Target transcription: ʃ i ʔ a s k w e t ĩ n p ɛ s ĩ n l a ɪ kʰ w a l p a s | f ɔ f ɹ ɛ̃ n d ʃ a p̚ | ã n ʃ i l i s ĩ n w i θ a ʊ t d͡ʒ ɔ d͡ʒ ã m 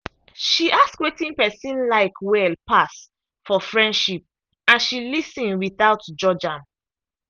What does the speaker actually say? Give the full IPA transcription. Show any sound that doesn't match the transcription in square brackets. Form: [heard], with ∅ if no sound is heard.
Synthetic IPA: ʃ i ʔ a s k w e t ĩ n p ɛ s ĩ n l a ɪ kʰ w [ɛ] l p a s | f ɔ f ɹ ɛ̃ n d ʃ [i] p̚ | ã n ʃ i l i s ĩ n w i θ a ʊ t d͡ʒ ɔ d͡ʒ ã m